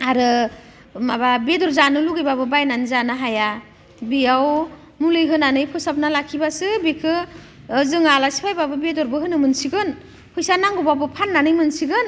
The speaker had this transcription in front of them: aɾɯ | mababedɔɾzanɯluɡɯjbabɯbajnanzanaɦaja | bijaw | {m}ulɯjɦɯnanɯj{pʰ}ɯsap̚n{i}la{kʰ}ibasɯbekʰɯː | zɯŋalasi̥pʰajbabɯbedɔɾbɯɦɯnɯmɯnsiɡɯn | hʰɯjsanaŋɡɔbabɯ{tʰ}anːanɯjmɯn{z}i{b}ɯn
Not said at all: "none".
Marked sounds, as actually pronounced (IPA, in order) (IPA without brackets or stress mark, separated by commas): m, pʰ, a, kʰ, pʰ, s, ɡ